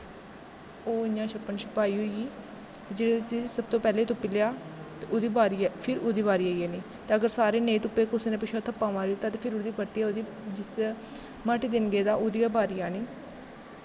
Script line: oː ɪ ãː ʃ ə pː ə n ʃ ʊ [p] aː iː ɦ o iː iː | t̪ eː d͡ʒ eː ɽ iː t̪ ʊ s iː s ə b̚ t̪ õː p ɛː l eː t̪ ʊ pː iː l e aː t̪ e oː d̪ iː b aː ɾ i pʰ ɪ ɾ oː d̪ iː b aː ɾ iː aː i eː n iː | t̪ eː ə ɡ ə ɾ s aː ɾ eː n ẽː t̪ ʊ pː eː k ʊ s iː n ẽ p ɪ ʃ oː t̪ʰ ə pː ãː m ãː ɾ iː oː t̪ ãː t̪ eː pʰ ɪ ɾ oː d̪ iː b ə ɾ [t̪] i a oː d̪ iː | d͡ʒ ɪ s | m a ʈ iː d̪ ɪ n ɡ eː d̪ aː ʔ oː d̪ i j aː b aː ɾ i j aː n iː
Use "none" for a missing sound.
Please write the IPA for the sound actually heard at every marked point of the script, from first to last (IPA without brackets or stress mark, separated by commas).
p, t̪